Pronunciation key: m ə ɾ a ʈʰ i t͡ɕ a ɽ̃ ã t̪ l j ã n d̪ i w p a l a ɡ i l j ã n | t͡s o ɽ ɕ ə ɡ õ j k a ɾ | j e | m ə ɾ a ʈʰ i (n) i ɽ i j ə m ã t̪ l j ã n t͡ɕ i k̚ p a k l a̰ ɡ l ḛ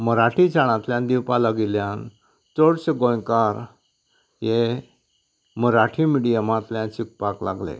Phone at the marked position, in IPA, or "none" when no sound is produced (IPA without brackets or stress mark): m